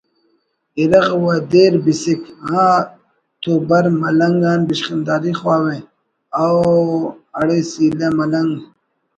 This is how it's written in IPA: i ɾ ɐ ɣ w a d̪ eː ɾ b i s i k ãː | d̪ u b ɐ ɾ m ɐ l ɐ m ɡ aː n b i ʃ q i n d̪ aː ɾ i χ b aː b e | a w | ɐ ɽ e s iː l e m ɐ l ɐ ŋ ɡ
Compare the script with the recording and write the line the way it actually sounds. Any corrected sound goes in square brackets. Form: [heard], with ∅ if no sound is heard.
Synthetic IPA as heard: i ɾ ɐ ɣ w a d̪ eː ɾ b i s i k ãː | [t̪] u b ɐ ɾ m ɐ l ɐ [ŋ] ɡ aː n b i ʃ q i n d̪ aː ɾ i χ [w] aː [w] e | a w | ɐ ɽ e s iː l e m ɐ l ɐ ŋ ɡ